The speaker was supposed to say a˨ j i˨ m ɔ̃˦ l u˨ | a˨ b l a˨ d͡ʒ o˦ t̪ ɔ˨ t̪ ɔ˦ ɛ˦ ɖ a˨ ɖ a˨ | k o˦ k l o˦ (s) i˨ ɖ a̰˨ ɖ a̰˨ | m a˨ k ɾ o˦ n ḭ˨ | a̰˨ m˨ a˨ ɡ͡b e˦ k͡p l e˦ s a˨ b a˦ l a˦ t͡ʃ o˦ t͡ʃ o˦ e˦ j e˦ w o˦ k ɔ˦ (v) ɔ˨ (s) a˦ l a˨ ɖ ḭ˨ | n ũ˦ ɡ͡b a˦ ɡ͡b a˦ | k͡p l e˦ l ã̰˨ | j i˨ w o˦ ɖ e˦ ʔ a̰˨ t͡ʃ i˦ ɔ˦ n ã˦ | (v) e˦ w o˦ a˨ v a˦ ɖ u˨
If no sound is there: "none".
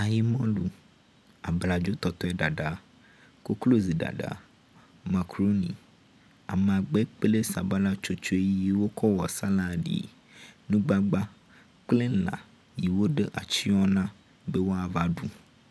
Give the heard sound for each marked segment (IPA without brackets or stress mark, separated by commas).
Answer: z, w, s, b